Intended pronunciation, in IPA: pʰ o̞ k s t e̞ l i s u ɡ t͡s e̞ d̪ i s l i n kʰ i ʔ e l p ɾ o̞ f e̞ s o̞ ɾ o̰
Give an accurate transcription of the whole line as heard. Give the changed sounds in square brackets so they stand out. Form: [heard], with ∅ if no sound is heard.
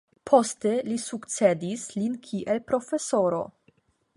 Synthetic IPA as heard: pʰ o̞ [∅] s t e̞ l i s u [k] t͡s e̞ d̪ i s l i n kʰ i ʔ e l p ɾ o̞ f e̞ s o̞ ɾ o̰

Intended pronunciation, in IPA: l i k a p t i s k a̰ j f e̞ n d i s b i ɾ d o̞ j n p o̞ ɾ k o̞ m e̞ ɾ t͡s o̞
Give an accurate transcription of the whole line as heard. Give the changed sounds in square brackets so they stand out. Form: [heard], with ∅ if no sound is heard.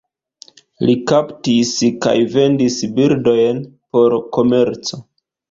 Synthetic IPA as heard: l i k a p t i s k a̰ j [v] e̞ n d i s b i ɾ d o̞ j n p o̞ ɾ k o̞ m e̞ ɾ t͡s o̞

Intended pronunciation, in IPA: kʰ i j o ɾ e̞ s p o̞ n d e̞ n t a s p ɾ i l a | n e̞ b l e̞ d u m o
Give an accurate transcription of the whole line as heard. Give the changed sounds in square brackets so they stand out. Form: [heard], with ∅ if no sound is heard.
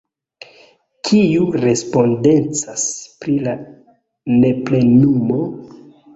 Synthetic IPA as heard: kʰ i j [u] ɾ e̞ s p o̞ n d e̞ n [t͡s] a s p ɾ i l a | n e̞ [p] l e̞ [n] u m o

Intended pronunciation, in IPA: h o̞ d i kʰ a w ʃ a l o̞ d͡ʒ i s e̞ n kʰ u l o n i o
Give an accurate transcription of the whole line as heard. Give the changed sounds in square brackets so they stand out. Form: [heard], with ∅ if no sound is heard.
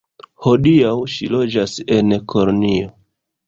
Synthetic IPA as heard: h o̞ d i [∅] a w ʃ [i] l o̞ d͡ʒ [a] s e̞ n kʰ [o] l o n i o

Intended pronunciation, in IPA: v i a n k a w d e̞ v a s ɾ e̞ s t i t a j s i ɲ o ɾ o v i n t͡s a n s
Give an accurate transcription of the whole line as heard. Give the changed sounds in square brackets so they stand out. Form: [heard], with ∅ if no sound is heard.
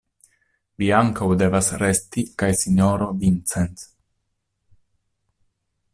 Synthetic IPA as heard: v i a [ŋ] k a w d e̞ v a s ɾ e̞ s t i [k] a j s i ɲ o ɾ o v i n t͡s [e] n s

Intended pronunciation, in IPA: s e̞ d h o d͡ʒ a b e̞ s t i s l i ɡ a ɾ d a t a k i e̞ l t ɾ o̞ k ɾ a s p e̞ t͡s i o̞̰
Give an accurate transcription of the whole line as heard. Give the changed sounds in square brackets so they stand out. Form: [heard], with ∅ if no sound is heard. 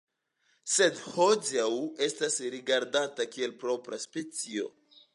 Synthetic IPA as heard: s e̞ d h o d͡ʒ a [w] e̞ s t [a] s [ɾ] i ɡ a ɾ d a t a k i e̞ l [p] ɾ o̞ [p] ɾ a s p e̞ t͡s i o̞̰

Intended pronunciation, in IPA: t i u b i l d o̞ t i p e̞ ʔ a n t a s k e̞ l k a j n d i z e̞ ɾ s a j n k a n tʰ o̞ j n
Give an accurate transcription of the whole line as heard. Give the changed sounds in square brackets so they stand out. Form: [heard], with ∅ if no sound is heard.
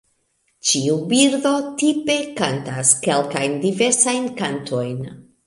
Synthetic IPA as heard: [t͡ʃ] i u b i [ɾ] d o̞ t i p e̞ [k] a n t a s k e̞ l k a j n d i [v] e̞ ɾ s a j n k a n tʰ o̞ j n

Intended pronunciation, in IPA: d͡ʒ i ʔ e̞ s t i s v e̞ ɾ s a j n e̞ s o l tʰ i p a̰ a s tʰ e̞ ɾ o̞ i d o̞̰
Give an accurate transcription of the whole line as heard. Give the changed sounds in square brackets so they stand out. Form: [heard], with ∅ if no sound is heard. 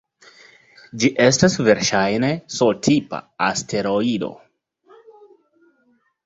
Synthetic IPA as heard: d͡ʒ i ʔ e̞ s t [a] s v e̞ ɾ [ʃ] a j n e̞ s o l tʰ i p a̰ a s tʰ e̞ ɾ o̞ i d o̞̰

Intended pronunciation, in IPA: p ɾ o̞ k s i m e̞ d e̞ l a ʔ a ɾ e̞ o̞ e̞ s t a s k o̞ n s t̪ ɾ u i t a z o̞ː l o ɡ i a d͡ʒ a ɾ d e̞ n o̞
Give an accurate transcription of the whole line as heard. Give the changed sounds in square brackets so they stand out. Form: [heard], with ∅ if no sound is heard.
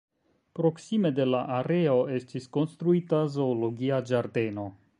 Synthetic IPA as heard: p ɾ o̞ k s i m e̞ d e̞ l a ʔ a ɾ e̞ o̞ e̞ s t [i] s k o̞ n s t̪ ɾ u i t a z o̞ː l o ɡ i a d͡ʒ a ɾ d e̞ n o̞

